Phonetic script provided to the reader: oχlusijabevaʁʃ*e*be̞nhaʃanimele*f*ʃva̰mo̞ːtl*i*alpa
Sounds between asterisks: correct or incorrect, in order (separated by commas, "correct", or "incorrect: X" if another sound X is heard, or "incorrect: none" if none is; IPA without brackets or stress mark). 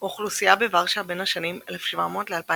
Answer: incorrect: a, correct, incorrect: e